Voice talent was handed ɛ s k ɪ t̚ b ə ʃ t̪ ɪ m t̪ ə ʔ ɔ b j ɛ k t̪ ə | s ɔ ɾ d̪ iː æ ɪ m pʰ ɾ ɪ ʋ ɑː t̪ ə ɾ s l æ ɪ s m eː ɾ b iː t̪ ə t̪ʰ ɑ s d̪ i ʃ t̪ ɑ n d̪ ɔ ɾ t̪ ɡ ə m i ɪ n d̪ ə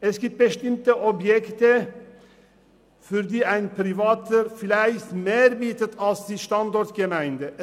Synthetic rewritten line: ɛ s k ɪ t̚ b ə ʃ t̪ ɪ m t̪ ə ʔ ɔ b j ɛ k t̪ ə | f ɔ ɾ d̪ iː æ ɪ n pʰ ɾ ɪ ʋ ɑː t̪ ə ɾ f l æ ɪ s m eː ɾ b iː t̪ ə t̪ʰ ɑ s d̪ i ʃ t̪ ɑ n d̪ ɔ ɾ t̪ ɡ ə m æ ɪ n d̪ ə